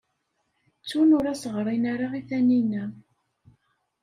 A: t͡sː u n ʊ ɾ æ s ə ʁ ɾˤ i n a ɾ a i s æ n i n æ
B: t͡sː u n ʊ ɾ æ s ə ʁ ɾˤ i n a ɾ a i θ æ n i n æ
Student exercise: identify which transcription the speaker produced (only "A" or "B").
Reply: B